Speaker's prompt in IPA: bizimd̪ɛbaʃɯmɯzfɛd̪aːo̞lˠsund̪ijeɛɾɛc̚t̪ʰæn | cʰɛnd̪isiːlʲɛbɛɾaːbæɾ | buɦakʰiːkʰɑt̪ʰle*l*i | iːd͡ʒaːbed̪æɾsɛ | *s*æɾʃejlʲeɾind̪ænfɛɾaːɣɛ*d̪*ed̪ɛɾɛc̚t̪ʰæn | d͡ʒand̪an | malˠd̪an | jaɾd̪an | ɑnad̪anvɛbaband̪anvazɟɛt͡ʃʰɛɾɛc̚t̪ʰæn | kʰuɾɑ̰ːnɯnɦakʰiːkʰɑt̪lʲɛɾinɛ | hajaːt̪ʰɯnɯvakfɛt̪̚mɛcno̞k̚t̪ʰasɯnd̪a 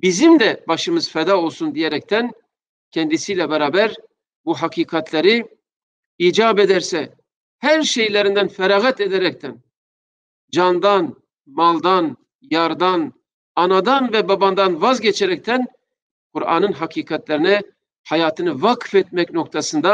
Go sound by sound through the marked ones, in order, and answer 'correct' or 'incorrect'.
incorrect: ɾ, incorrect: h, incorrect: t̪

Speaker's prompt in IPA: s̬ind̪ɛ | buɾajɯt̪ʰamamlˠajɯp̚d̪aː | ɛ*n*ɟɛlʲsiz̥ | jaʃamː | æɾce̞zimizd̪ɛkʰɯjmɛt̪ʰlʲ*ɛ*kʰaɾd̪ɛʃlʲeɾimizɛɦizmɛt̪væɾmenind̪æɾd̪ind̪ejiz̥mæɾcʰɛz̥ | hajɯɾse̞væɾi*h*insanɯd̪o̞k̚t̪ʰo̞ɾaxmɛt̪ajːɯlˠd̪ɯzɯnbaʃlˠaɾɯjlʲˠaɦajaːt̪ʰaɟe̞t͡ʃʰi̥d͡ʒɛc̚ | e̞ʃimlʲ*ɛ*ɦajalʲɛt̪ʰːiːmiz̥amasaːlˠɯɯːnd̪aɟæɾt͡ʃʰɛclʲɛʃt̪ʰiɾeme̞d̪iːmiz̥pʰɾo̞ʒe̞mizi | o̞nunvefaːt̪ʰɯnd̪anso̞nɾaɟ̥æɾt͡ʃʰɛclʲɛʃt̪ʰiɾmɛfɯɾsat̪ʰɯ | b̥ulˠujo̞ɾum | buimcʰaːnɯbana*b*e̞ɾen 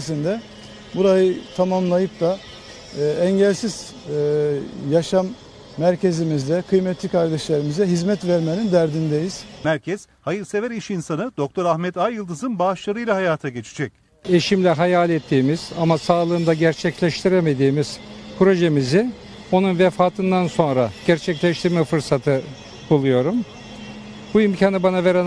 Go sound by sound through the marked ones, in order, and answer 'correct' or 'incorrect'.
incorrect: ɲ, incorrect: i, incorrect: ʃ, correct, incorrect: v

